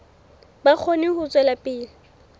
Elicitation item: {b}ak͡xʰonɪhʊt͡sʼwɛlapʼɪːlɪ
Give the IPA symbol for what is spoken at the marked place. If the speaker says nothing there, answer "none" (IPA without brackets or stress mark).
b